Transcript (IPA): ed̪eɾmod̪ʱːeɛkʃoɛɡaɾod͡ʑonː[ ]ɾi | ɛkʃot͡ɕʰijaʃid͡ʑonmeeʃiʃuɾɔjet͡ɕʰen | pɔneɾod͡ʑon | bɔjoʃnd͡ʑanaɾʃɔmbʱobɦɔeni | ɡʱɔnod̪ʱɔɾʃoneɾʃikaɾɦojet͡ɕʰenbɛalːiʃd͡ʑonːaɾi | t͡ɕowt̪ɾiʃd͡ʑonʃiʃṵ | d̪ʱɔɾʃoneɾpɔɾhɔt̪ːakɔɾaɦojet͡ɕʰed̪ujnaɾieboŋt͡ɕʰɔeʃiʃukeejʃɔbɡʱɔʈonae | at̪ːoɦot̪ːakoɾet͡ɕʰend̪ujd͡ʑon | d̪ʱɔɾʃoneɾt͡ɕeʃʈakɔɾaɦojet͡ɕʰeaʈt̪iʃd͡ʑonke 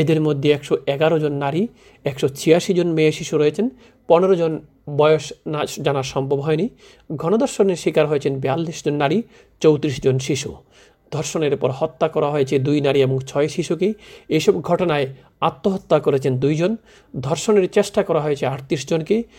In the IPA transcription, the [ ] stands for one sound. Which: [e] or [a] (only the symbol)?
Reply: a